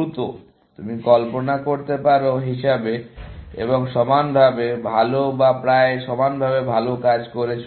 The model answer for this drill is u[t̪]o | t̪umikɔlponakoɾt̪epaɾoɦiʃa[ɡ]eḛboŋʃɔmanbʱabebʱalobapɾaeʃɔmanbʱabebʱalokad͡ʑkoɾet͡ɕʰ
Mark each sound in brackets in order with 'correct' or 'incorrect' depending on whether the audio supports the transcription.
correct, incorrect

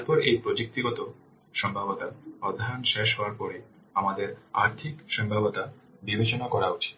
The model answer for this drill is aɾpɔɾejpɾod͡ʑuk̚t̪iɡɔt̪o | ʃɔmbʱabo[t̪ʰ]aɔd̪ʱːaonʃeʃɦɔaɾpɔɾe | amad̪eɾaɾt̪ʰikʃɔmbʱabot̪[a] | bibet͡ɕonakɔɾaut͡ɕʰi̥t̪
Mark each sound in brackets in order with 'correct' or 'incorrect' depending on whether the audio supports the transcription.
incorrect, correct

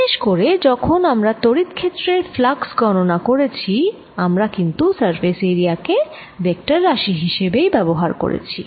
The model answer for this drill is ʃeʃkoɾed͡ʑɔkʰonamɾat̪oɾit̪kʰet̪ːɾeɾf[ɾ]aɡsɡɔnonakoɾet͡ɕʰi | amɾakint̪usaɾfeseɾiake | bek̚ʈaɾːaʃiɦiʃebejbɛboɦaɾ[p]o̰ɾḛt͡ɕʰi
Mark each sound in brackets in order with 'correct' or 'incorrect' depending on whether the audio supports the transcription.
incorrect, incorrect

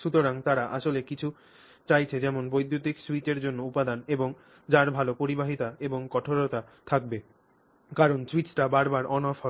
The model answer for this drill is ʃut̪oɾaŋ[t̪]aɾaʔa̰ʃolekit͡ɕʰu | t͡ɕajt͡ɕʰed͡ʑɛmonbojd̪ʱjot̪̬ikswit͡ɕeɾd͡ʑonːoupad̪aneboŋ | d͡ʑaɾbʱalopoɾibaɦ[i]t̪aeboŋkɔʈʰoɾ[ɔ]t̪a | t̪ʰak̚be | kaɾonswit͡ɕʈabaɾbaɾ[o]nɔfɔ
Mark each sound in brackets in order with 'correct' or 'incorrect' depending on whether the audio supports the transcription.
correct, correct, incorrect, incorrect

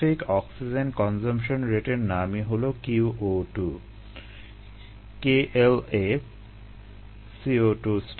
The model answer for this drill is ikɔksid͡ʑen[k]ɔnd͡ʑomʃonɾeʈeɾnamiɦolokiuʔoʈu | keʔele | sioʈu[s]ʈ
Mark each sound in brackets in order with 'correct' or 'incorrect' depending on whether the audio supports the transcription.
correct, correct

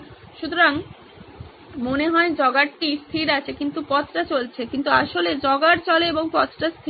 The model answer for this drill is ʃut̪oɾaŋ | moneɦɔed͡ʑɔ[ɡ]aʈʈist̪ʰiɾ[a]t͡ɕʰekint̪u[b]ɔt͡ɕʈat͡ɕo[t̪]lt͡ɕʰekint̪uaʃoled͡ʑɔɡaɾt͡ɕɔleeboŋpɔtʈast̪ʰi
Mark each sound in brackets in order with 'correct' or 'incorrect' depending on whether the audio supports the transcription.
correct, correct, incorrect, incorrect

